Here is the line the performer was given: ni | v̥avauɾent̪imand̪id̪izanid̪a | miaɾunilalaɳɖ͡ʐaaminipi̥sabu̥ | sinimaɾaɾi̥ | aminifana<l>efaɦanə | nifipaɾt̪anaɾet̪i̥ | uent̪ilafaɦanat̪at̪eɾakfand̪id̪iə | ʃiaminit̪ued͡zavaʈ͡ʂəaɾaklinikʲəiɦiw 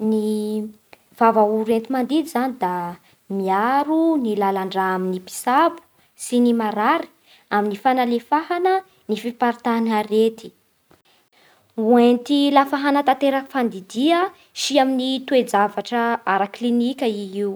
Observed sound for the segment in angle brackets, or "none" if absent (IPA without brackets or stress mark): l